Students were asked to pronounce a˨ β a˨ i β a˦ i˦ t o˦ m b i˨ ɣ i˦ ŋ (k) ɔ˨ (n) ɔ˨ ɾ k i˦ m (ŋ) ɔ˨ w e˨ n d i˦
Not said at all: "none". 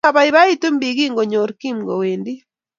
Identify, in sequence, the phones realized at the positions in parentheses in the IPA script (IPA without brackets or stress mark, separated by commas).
ɡ, ɲ, ɡ